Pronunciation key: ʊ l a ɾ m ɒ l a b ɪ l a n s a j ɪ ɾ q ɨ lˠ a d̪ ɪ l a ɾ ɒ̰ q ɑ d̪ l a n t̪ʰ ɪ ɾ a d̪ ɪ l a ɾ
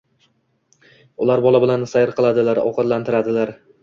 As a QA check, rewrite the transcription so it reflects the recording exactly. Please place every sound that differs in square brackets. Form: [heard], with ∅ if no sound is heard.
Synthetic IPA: ʊ l a ɾ [b] ɒ l a b ɪ l a n s a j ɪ ɾ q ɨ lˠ a d̪ ɪ l a ɾ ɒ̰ q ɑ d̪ l a n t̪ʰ ɪ ɾ a d̪ ɪ l a ɾ